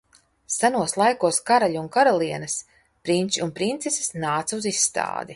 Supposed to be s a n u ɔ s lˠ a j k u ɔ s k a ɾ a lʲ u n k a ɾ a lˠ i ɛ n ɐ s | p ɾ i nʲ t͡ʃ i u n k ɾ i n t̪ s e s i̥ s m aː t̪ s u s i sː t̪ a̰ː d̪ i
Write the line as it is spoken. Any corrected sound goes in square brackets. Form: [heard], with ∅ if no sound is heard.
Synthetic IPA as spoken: s a n u ɔ s lˠ a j k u ɔ s k a ɾ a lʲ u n k a ɾ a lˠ i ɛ n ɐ s | p ɾ i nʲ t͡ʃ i u n [p] ɾ i n t̪ s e s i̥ s [n] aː t̪ s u [z] i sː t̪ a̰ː d̪ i